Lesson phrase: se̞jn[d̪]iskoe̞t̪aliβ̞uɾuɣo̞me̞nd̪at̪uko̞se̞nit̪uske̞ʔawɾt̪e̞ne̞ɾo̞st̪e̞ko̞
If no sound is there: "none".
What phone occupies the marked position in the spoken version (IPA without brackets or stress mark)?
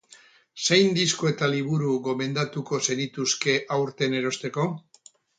d̪